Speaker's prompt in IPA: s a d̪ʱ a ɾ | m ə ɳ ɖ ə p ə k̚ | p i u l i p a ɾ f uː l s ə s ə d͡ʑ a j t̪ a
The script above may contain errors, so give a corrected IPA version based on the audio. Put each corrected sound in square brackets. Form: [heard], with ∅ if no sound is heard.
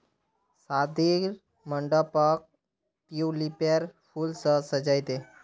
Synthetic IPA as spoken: s a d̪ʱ [i] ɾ | m ə ɳ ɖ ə p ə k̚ | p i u l i p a ɾ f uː l s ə s ə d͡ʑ a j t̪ [e]